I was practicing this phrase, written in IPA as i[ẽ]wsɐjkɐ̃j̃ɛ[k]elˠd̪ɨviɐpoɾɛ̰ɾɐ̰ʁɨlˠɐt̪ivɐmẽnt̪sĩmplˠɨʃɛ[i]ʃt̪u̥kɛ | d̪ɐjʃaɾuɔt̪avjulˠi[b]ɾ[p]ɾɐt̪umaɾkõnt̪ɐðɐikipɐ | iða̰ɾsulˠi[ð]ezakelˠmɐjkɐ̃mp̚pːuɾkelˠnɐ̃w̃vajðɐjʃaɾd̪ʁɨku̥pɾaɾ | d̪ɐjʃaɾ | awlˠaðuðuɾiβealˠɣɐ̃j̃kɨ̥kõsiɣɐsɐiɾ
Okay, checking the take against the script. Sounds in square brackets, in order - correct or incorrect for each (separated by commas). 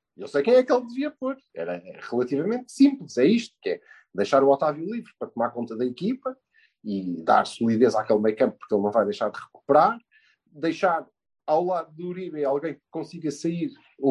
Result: incorrect, correct, correct, incorrect, correct, correct